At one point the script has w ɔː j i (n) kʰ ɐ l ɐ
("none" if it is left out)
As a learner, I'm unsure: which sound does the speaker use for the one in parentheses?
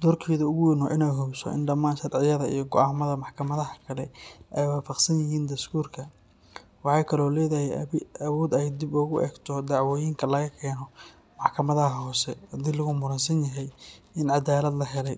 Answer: ŋ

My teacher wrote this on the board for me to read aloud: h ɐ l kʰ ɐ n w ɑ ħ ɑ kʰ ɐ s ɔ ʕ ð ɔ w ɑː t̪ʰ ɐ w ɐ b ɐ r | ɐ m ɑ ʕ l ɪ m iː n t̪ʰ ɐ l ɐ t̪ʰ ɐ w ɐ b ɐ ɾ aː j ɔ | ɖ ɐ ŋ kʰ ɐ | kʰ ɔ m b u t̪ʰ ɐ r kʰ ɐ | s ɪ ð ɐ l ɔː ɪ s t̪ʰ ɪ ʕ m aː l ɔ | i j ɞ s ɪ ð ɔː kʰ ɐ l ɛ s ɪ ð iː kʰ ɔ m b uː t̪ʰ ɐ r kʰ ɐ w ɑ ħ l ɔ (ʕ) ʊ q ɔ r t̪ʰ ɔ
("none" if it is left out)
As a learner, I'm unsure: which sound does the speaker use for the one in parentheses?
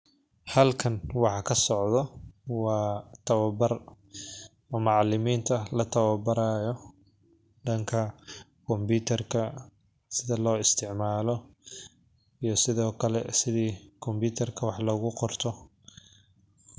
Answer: ɣ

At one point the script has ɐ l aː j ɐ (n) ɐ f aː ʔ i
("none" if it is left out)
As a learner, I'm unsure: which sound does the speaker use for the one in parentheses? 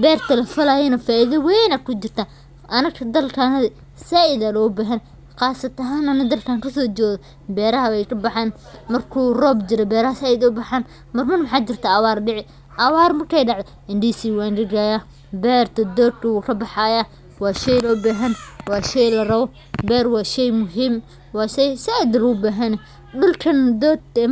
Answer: n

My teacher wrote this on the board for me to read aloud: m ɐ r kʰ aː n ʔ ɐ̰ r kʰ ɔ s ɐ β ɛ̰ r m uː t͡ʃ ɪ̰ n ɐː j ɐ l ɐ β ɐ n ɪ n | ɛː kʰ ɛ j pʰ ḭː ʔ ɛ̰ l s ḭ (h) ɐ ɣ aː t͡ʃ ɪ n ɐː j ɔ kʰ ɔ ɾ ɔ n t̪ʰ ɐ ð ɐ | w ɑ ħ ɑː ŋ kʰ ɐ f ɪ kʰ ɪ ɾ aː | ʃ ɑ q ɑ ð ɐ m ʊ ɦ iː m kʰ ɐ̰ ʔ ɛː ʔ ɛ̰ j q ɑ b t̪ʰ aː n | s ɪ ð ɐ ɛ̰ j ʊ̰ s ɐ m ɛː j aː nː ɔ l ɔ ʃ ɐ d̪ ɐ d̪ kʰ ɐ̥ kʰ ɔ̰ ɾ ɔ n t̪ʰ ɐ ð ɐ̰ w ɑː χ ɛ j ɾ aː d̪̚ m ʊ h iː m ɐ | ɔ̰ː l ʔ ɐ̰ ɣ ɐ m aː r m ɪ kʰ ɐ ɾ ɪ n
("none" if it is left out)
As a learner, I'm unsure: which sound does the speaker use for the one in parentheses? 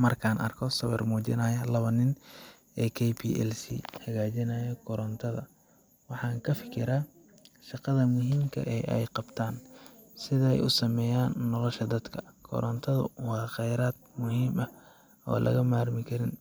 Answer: h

